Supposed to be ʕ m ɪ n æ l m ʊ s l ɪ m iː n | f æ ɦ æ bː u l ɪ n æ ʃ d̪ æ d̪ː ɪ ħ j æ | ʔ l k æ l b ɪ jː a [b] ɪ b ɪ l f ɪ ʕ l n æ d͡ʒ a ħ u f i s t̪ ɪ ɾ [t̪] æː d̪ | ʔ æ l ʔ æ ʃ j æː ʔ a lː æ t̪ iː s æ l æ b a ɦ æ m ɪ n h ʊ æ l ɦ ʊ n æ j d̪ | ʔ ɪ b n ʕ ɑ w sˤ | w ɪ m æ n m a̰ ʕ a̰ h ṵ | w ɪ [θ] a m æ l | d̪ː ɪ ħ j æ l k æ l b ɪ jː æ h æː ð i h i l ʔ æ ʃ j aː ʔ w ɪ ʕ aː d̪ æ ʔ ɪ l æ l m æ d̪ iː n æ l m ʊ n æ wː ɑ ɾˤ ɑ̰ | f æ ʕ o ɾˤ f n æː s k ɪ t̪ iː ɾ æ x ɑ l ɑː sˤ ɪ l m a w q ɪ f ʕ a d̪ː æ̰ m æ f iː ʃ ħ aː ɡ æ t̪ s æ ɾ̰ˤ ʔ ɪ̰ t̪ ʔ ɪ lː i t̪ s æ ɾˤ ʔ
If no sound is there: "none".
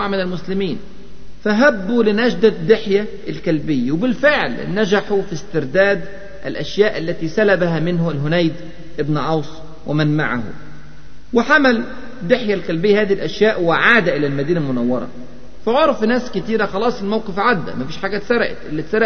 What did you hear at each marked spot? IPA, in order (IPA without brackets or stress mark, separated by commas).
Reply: w, d̪, ħ